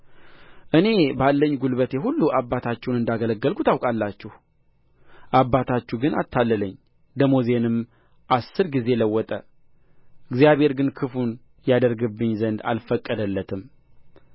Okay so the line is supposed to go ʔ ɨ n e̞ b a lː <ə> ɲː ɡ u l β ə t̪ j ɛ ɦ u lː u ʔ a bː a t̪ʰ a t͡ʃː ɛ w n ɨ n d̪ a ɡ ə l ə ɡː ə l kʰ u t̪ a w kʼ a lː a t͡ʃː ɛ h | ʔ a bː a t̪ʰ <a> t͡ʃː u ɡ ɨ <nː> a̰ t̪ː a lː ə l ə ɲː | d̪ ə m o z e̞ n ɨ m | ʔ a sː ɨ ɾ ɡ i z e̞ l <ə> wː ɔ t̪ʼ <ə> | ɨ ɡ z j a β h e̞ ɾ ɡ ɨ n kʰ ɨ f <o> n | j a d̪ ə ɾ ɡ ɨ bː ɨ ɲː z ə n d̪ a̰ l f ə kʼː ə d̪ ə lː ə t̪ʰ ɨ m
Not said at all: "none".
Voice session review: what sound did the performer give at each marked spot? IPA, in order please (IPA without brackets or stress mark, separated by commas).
ə, a, n, ə, ə, u